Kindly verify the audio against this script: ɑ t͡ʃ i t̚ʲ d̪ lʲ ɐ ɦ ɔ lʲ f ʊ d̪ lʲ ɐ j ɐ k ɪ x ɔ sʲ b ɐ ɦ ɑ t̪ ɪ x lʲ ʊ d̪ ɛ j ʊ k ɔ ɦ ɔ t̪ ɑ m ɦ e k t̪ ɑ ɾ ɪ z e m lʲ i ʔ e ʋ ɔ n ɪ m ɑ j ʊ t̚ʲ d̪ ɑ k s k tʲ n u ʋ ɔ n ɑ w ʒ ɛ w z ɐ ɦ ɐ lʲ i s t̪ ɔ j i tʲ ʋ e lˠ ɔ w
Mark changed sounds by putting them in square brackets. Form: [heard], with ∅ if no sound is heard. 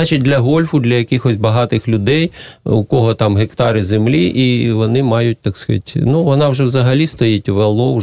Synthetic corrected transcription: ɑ t͡ʃ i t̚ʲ d̪ lʲ ɐ ɦ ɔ lʲ f ʊ d̪ lʲ ɐ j ɐ k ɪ x ɔ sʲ b ɐ ɦ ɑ t̪ ɪ x lʲ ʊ d̪ ɛ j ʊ k ɔ ɦ ɔ t̪ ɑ m ɦ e k t̪ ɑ ɾ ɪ z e m lʲ i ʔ [i] ʋ ɔ n ɪ m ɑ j ʊ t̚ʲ [t̪] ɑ k s k tʲ n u ʋ ɔ n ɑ w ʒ ɛ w z ɐ ɦ ɐ lʲ i s t̪ ɔ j i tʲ ʋ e lˠ ɔ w